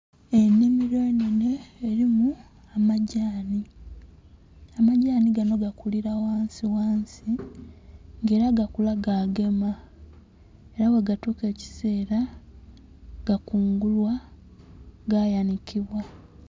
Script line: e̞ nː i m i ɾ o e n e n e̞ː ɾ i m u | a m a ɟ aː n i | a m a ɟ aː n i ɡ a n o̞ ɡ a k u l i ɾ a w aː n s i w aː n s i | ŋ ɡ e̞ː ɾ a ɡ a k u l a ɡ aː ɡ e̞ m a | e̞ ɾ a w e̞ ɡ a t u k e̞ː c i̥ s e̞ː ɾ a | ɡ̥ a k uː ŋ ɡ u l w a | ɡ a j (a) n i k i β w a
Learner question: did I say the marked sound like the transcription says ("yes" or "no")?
yes